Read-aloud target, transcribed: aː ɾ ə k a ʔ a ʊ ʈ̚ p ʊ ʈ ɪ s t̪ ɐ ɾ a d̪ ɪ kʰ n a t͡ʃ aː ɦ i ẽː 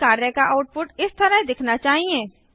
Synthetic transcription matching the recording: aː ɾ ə k a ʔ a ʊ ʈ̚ p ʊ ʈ ɪ s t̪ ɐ ɾ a d̪ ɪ kʰ n a t͡ʃ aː ɦ i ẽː